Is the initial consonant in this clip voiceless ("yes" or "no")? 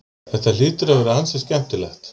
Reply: yes